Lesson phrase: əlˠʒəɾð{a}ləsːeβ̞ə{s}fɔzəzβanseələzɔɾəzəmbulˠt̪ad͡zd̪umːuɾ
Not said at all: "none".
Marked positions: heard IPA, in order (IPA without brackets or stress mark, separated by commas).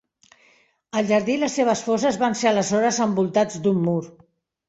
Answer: i, s